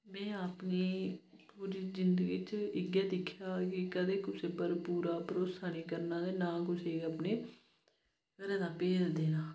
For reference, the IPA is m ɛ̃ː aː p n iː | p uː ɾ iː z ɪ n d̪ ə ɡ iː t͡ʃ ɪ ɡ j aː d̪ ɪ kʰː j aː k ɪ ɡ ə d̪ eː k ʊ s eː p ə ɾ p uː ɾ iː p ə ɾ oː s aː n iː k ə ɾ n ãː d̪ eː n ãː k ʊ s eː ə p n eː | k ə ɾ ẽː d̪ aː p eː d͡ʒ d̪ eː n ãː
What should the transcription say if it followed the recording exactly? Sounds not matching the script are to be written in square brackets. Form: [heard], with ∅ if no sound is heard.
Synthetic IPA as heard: m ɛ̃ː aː p n iː | p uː ɾ iː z ɪ n d̪ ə ɡ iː t͡ʃ ɪ ɡ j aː d̪ ɪ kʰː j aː k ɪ [k] ə d̪ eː k ʊ s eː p ə ɾ p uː ɾ [aː] p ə ɾ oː s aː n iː k ə ɾ n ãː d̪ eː n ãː k ʊ s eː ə p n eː | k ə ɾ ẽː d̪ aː p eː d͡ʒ d̪ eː n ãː